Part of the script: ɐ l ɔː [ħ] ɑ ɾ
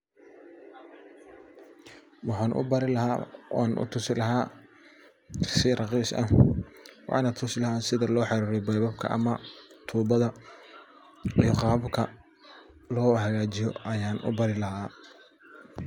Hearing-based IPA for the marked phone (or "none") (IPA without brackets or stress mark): ħ